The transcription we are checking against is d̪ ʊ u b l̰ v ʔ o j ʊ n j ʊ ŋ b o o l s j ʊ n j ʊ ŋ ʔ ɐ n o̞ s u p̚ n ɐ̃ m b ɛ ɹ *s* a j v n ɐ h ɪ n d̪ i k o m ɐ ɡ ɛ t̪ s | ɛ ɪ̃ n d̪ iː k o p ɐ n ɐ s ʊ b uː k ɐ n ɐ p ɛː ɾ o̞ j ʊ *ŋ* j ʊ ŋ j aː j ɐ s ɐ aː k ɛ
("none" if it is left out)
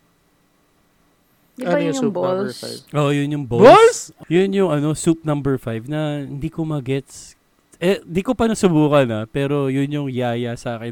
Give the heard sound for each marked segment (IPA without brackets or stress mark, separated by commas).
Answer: f, n